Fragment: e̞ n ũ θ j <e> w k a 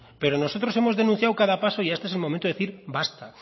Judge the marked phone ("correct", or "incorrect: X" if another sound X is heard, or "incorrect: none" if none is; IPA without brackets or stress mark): incorrect: a